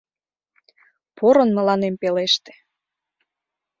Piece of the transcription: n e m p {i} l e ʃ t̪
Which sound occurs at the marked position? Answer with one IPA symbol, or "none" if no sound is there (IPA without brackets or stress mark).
e